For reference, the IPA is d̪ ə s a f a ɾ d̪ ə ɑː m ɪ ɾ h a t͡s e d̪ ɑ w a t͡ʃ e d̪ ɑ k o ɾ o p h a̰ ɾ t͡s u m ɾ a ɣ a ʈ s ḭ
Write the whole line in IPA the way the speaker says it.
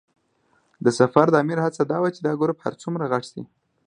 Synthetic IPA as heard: d̪ ə s a f a ɾ d̪ ə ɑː m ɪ ɾ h a t͡s a d̪ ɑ w a t͡ʃ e d̪ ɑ ɡ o ɾ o p h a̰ ɾ t͡s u m ɾ a ɣ a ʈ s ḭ

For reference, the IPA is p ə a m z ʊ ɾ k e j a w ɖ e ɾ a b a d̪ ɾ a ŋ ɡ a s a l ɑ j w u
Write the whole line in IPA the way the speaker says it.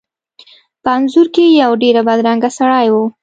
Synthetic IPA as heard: p ə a n z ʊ ɾ k e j a w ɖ e ɾ a b a d̪ ɾ a ŋ ɡ a s a ɽ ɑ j w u

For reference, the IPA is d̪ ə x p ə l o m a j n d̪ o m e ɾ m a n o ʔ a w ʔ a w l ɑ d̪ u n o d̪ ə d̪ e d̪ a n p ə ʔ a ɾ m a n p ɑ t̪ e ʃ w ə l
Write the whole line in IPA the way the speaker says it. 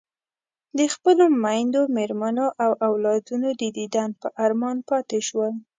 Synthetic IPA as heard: d̪ ə x p ə l o m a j n d̪ o m e ɾ m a n o ʔ a w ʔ a w l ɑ d̪ u n o d̪ ə d̪ i d̪ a n p ə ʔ a ɾ m ɑ n p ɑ t̪ e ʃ w ə l

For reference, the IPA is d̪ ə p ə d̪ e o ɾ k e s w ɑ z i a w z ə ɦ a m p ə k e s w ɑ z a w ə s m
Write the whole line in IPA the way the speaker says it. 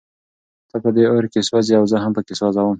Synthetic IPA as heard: t̪ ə p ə d̪ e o ɾ k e s w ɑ z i a w z ə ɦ a m p ə k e s w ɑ z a w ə m

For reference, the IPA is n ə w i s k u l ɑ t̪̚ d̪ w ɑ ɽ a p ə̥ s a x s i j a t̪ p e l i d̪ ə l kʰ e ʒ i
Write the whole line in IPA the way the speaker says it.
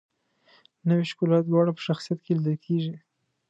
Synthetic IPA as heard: n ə w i ʃ k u l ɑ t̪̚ d̪ w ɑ ɽ a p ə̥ ʃ a x s i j a t̪ k e l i d̪ ə l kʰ e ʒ i

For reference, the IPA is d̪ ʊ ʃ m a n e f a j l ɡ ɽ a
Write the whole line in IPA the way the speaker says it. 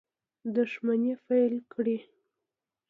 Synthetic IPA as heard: d̪ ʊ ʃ m a n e f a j l k ɽ i

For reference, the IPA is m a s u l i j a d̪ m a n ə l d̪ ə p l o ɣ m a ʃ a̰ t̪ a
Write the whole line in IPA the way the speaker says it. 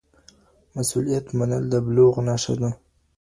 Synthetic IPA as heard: m a s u l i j a t̪ m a n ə l d̪ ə b l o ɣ n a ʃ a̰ d̪ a

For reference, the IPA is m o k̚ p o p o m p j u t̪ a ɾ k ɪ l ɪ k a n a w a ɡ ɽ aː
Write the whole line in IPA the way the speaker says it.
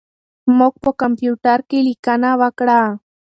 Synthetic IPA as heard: m o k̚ p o k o m p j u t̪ a ɾ k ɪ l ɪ k a n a w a k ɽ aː

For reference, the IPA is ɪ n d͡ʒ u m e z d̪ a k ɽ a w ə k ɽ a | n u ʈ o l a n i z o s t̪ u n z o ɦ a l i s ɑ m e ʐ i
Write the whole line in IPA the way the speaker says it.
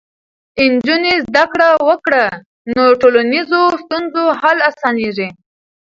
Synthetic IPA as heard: ɪ n d͡ʒ u n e z d̪ a k ɽ a w ə k ɽ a | n o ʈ o l a n i z o s t̪ u n z o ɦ a l a s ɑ n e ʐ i

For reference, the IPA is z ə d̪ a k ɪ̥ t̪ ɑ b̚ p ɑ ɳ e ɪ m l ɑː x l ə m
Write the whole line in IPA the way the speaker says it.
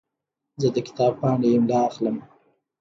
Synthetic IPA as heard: z ə d̪ ə k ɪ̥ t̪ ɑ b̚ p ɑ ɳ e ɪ m l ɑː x l ə m

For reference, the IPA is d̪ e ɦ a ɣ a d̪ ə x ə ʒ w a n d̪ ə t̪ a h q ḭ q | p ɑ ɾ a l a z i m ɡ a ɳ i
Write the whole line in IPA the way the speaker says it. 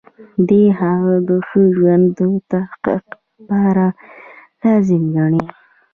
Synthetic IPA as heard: d̪ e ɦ a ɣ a d̪ ə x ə ʒ w a n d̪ ə t̪ a h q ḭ q | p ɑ ɾ a l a z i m ɡ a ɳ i

